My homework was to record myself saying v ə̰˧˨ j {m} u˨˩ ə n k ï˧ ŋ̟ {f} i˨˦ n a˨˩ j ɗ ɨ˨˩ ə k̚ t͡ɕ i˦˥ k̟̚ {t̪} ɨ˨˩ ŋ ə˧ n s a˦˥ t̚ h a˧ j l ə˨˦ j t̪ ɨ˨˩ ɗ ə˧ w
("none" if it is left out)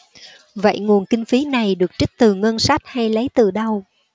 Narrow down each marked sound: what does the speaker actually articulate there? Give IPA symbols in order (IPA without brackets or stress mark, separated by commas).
ŋ, f, t̪